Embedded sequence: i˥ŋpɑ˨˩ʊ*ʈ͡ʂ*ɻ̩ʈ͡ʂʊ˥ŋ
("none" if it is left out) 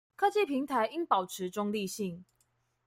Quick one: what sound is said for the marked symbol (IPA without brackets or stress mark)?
ʈ͡ʂʰ